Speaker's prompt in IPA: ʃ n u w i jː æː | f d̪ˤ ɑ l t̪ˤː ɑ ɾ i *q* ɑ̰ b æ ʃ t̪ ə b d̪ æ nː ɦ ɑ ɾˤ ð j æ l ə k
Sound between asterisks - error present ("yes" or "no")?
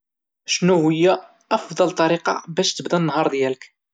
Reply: no